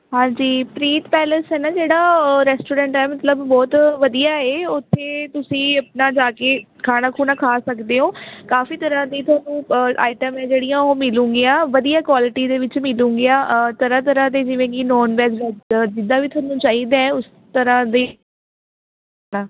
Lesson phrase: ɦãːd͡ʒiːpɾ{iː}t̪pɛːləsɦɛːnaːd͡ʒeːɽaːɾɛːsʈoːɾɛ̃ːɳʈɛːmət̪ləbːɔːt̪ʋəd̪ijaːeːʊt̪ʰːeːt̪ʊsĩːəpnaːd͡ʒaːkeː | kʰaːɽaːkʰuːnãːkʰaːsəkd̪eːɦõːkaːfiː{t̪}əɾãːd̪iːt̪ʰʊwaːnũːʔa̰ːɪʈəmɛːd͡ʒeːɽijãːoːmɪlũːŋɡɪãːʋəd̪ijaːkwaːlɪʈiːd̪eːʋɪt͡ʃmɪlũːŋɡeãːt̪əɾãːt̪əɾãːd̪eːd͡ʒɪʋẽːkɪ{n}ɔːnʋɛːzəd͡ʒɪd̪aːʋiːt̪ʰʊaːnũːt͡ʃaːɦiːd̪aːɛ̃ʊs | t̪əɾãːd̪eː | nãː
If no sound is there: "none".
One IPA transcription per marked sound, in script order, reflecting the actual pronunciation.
iː, t̪, n

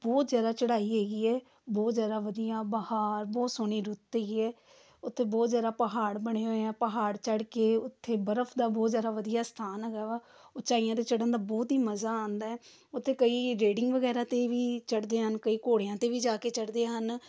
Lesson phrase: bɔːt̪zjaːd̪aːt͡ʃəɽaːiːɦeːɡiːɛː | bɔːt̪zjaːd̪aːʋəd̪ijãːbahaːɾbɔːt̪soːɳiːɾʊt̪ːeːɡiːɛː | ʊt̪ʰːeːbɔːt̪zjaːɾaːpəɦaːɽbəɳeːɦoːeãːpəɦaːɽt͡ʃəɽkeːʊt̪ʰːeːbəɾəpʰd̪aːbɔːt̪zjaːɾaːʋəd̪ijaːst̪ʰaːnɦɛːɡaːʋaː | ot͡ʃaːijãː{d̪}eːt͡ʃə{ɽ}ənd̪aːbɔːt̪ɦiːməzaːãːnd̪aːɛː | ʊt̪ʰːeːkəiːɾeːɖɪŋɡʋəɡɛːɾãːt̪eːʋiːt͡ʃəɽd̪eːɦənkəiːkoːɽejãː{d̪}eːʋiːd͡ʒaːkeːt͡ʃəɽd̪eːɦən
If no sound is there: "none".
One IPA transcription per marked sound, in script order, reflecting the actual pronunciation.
t̪, ɽ, t̪

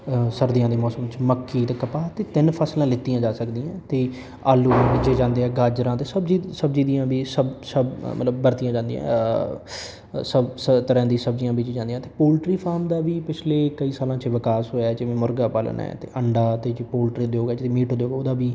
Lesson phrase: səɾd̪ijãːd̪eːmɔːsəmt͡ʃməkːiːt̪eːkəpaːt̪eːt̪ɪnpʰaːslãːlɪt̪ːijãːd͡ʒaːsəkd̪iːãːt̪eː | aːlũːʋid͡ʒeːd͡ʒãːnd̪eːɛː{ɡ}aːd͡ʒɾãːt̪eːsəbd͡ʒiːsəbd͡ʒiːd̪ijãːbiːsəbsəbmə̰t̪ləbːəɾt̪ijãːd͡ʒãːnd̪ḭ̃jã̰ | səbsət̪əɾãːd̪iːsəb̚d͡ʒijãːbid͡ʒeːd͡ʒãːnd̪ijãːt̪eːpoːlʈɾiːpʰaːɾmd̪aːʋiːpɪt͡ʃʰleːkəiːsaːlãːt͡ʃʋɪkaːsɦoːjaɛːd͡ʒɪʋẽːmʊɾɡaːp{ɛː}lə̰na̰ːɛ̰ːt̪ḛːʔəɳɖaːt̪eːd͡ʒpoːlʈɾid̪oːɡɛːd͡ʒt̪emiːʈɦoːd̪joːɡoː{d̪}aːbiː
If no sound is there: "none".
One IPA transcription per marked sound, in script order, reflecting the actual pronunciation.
ɡ, aː, d̪

